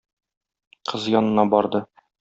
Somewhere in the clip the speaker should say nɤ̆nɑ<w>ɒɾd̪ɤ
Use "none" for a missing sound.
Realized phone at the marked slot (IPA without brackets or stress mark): b